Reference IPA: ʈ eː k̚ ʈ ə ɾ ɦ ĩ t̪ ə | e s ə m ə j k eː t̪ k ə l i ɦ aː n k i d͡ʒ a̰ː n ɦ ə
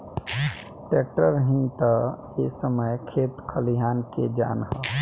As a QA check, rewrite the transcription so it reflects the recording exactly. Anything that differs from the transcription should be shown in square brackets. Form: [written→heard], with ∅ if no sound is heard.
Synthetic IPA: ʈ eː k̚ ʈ ə ɾ ɦ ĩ t̪ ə | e s ə m ə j [k→kʰ] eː t̪ [k→kʰ] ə l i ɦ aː n k [i→e] d͡ʒ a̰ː n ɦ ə